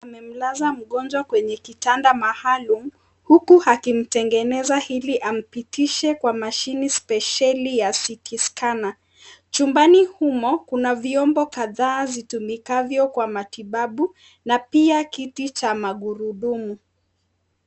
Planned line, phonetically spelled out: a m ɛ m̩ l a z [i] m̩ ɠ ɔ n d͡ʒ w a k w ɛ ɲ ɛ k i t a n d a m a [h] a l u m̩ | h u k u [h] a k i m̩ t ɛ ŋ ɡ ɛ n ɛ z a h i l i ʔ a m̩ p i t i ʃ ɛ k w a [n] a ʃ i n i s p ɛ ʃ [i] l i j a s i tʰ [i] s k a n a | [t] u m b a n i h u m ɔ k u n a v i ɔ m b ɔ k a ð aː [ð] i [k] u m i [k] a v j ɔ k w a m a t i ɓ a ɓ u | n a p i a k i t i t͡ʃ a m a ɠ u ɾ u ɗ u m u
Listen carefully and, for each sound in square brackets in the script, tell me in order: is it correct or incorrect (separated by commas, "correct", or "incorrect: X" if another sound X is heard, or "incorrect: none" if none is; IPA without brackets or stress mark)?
incorrect: a, correct, correct, incorrect: m, incorrect: a, correct, incorrect: t͡ʃ, incorrect: z, incorrect: t, correct